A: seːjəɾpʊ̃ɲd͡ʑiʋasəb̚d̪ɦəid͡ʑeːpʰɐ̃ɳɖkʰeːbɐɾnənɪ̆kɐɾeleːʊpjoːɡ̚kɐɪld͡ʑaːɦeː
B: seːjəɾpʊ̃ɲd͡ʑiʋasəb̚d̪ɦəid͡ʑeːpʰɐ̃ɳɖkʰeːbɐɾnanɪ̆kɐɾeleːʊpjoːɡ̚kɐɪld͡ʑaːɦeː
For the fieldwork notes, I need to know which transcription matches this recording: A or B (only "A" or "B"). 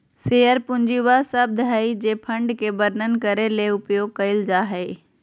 A